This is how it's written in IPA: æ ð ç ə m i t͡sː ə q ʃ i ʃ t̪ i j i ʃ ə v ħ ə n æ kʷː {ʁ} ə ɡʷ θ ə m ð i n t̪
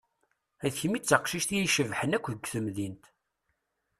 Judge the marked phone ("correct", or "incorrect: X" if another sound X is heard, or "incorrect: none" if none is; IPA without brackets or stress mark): incorrect: ð